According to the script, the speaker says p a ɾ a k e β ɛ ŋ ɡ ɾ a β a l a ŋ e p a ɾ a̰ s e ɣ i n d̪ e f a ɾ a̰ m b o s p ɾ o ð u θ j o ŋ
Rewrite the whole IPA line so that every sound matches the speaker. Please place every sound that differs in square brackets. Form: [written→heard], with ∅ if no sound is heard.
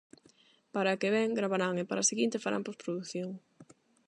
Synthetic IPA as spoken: p a ɾ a k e β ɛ ŋ ɡ ɾ a β a [l→ɾ] a ŋ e p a ɾ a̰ s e ɣ i n [d̪→t̪] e f a ɾ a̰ m [b→p] o s p ɾ o ð u θ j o ŋ